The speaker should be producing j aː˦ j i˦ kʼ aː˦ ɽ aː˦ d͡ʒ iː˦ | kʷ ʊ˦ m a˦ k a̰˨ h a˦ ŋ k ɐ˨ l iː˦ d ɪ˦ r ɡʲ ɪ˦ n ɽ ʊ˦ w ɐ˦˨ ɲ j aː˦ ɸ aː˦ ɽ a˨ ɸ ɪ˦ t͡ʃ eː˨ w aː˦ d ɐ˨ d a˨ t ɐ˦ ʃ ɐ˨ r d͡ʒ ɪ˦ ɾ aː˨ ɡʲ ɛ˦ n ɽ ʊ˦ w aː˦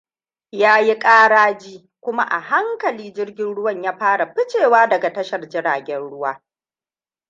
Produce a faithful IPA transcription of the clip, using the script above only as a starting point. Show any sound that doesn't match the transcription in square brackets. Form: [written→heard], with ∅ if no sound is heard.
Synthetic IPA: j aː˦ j i˦ kʼ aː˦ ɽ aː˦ d͡ʒ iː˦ | kʷ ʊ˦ m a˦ [k→ʔ] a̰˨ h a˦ ŋ k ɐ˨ l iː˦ [d→d͡ʒ] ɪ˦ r ɡʲ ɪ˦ n ɽ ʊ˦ w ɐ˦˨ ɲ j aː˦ ɸ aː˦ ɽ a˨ ɸ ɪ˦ t͡ʃ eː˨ w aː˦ d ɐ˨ [d→ɡ] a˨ t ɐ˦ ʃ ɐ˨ r d͡ʒ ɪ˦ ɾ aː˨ ɡʲ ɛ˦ n ɽ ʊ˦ w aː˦